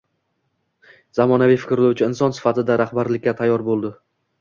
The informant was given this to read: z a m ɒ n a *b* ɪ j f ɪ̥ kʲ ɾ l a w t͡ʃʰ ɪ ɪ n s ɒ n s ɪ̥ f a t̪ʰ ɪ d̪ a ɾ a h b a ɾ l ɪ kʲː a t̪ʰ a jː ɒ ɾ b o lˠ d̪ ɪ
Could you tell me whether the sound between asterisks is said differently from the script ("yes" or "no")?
yes